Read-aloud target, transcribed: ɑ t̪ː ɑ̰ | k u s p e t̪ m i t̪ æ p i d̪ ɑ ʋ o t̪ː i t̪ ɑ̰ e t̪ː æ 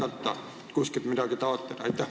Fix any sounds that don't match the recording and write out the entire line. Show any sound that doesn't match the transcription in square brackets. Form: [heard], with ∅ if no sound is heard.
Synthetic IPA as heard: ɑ t̪ː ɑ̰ | k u s [k] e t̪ m i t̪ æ [k] i [t̪] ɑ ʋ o t̪ː [e] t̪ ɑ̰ e t̪ː æ

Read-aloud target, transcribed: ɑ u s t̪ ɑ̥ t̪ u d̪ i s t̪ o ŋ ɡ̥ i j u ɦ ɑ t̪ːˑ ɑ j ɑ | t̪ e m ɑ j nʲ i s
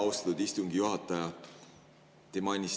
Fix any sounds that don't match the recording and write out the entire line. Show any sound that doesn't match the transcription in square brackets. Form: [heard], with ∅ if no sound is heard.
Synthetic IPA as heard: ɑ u s t̪ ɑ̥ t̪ u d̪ i s t̪ [u] ŋ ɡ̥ i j u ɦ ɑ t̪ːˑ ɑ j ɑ | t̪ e m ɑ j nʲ i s

